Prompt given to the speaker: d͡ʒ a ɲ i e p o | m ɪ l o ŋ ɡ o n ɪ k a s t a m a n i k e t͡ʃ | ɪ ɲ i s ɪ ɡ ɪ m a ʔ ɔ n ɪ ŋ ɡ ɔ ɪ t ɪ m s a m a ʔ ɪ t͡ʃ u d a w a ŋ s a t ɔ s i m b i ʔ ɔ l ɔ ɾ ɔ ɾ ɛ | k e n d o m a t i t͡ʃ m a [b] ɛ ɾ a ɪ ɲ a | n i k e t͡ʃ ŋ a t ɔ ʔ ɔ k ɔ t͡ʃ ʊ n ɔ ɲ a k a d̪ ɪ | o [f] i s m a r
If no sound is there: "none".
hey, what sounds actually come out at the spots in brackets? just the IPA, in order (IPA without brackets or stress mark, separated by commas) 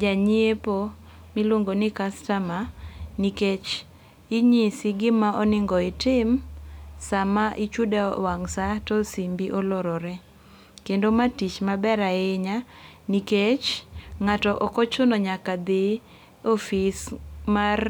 b, f